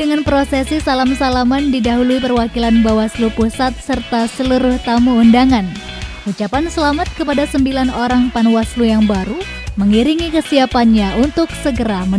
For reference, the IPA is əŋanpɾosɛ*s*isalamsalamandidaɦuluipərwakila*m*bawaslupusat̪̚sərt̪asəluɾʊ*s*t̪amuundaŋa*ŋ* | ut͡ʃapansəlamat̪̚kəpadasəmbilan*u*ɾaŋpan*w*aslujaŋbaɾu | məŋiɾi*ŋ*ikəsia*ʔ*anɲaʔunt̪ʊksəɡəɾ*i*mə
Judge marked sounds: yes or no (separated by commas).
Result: yes, no, no, no, no, yes, yes, no, no